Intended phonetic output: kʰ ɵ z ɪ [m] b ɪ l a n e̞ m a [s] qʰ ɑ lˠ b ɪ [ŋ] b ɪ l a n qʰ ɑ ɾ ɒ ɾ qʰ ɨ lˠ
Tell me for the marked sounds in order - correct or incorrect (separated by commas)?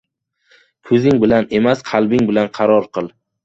incorrect, correct, correct